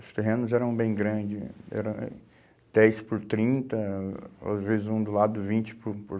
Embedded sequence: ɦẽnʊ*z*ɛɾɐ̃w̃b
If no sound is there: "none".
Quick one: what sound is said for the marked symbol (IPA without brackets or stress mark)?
z